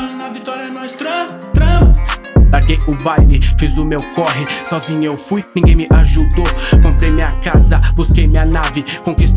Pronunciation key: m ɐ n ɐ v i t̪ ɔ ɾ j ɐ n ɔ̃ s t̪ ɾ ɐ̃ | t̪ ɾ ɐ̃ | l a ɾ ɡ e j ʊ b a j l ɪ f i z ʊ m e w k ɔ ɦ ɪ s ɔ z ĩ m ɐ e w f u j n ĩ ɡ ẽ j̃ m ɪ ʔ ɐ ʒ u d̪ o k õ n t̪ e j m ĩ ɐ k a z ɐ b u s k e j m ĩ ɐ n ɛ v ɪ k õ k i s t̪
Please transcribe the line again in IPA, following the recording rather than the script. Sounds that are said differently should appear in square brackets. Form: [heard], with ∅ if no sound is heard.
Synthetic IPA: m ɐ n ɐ v i t̪ ɔ ɾ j ɐ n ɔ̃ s t̪ ɾ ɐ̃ | t̪ ɾ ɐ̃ | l a ɾ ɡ e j ʊ b a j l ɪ f i z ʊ m e w k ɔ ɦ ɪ s ɔ z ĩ [ɲ] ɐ e w f u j n ĩ ɡ ẽ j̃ m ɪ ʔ [a] ʒ u d̪ o k õ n t̪ e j m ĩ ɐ k a z ɐ b u s k e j m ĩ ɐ n [a] v ɪ k õ k i s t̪